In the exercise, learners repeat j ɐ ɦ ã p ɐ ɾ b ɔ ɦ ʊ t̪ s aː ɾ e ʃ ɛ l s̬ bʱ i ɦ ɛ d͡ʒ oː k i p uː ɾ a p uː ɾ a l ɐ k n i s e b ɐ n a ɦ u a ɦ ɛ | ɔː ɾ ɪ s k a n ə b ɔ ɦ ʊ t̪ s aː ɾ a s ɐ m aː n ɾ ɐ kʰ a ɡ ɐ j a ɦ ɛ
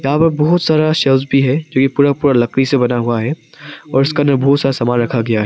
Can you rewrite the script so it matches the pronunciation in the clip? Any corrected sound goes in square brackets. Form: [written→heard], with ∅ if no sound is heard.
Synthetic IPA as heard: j ɐ ɦ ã p ɐ ɾ b ɔ ɦ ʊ t̪ s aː ɾ [e→a] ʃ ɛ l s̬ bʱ i ɦ ɛ d͡ʒ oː k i p uː ɾ a p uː ɾ a l ɐ k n i s e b ɐ n a ɦ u a ɦ ɛ | ɔː ɾ ɪ s k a n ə b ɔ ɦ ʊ t̪ s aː ɾ a s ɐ m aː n ɾ ɐ kʰ a ɡ ɐ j a ɦ ɛ

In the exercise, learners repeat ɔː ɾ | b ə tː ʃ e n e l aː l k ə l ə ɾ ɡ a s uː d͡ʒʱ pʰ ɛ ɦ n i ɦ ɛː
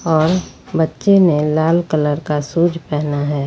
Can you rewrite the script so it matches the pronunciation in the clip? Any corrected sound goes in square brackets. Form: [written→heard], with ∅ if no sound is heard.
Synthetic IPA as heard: ɔː ɾ | b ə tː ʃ e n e l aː l k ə l ə ɾ [ɡ→k] a s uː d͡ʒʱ [pʰ→p] ɛ ɦ n [i→a] ɦ ɛː

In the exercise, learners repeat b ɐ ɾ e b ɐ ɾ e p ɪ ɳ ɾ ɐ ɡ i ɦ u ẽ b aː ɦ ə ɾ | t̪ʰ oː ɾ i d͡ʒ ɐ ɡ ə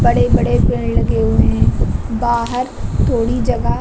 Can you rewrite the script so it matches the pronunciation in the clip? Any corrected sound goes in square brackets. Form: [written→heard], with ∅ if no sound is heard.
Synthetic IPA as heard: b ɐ [ɾ→ɽ] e b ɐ [ɾ→ɽ] e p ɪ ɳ [ɾ→l] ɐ ɡ [i→e] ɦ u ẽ b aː ɦ ə ɾ | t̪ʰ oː [ɾ→ɽ] i d͡ʒ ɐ ɡ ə

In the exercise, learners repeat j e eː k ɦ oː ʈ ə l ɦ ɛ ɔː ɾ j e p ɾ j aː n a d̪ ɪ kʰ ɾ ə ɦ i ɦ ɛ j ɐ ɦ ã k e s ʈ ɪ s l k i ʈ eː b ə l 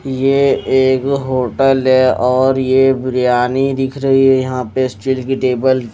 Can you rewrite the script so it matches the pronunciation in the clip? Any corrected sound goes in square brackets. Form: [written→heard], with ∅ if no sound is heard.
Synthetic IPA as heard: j e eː k ɦ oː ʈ ə l ɦ ɛ ɔː ɾ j e [p→b] ɾ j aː n [a→i] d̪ ɪ kʰ ɾ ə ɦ i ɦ ɛ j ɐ ɦ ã [k→p] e s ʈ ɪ [s→∅] l k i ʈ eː b ə l

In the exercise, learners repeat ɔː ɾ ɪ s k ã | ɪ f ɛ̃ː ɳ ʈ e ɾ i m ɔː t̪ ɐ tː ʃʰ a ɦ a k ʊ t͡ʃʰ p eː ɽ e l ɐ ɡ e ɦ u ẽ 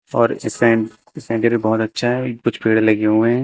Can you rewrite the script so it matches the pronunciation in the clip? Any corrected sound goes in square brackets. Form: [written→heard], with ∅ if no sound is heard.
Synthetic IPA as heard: ɔː ɾ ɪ s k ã | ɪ [f→s] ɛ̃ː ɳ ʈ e ɾ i [m→b] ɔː t̪ ɐ tː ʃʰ a ɦ [a→ɛ] k ʊ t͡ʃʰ p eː ɽ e l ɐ ɡ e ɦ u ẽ

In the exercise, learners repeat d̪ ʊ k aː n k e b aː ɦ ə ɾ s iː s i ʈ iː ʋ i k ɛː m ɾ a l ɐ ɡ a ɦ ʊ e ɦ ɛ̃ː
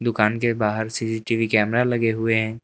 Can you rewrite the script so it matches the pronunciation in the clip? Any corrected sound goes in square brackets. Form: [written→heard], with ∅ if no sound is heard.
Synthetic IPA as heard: d̪ ʊ k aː n k e b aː ɦ ə ɾ s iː s i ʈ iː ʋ i k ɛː m ɾ a l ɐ ɡ [a→e] ɦ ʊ e ɦ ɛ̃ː

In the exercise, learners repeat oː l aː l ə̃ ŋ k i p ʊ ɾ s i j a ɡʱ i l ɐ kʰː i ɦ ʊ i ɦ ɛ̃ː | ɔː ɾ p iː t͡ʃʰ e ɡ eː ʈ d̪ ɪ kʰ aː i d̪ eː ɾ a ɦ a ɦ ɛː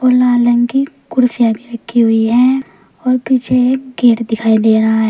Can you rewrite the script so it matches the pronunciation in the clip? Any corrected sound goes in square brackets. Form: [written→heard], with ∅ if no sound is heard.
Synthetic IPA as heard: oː l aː l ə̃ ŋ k i [p→k] ʊ ɾ s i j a [ɡʱ→bʱ] i [l→ɾ] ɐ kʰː i ɦ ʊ i ɦ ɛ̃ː | ɔː ɾ p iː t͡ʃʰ e ɡ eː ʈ d̪ ɪ kʰ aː i d̪ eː ɾ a ɦ a ɦ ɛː

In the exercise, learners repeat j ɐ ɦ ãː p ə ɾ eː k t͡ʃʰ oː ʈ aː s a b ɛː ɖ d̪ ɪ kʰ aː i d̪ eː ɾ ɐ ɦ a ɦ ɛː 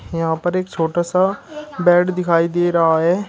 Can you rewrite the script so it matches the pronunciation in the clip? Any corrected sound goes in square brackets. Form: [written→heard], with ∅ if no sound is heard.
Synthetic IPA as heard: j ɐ ɦ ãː p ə ɾ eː k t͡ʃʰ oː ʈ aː s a b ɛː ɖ d̪ ɪ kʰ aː i d̪ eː ɾ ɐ ɦ a ɦ ɛː

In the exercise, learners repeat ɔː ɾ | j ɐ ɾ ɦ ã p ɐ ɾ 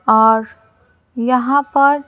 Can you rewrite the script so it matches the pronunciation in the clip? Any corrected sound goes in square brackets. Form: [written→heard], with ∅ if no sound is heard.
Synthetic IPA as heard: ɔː ɾ | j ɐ [ɾ→∅] ɦ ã p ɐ ɾ

